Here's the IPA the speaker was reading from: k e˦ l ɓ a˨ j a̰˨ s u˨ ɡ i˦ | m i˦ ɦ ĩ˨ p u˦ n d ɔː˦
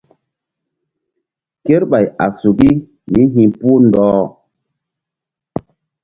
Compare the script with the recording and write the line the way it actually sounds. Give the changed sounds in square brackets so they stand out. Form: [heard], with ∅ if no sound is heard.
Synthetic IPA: k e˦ [ɾ] ɓ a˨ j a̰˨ s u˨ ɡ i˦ | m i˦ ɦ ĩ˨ p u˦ n d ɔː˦